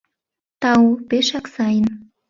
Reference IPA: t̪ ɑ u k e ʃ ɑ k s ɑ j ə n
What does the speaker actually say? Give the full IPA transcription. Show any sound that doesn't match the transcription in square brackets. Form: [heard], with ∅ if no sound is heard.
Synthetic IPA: t̪ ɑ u [p] e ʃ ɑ k s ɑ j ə n